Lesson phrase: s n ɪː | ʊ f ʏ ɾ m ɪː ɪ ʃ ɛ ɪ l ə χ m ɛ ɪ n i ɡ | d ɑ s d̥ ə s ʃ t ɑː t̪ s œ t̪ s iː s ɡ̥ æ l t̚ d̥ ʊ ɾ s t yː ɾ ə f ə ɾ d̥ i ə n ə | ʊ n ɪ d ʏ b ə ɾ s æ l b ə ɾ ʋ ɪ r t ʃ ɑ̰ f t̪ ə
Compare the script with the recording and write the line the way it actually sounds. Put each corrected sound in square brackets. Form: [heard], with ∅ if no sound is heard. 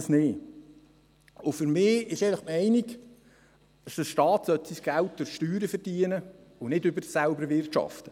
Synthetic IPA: s n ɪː | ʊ f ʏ ɾ m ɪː ɪ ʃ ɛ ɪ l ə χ m ɛ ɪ n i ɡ | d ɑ s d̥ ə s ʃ t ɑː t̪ s œ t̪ s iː s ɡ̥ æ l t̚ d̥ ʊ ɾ [ʃ] t yː ɾ ə f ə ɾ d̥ i ə n ə | ʊ n ɪ d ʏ b ə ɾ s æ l b ə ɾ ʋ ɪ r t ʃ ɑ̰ f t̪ ə

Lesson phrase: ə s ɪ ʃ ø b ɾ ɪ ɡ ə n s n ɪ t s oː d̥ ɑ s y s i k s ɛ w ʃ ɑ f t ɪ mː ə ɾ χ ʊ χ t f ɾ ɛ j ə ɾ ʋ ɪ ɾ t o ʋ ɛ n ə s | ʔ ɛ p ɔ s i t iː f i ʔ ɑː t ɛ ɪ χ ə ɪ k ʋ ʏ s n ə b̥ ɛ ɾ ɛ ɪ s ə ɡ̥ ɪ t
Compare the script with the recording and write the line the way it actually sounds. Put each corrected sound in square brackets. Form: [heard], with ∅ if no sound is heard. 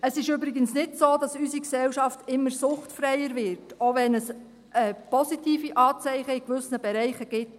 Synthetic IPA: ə s ɪ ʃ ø b ɾ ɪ ɡ ə n s n ɪ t s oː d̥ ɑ s y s i k s ɛ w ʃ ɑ f t ɪ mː ə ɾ [s] ʊ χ t f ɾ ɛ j ə ɾ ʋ ɪ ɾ t o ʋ ɛ n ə s | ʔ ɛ p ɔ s i t iː f i ʔ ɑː [t͡s] ɛ ɪ χ ə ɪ k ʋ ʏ s n ə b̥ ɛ ɾ ɛ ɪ [χ] ə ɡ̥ ɪ t

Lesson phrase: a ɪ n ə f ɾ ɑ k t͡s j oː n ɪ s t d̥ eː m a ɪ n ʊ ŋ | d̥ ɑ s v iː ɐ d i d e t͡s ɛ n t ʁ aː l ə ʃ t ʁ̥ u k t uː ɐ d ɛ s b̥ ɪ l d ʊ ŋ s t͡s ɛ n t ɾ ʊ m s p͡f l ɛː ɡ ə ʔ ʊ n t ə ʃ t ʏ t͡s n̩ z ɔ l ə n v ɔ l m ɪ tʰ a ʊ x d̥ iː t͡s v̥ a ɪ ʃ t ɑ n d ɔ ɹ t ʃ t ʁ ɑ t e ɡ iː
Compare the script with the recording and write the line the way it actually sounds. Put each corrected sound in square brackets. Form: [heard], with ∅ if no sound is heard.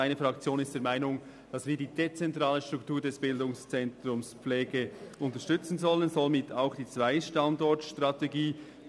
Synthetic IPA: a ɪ n ə f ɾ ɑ k t͡s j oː n ɪ s t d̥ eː m a ɪ n ʊ ŋ | d̥ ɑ s v iː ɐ d [iː] d e t͡s ɛ n t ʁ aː l ə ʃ t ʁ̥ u k t uː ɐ d ɛ s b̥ ɪ l d ʊ ŋ s t͡s ɛ n t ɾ ʊ m s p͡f l ɛː ɡ ə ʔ ʊ n t ə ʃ t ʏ t͡s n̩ z ɔ l ə n [z] ɔ l m ɪ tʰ a ʊ x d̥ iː t͡s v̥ a ɪ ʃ t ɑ n d ɔ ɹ t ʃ t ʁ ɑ t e ɡ iː

